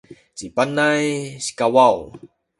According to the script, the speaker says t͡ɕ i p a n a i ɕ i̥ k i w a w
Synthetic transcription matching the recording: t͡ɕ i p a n a j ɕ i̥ k a w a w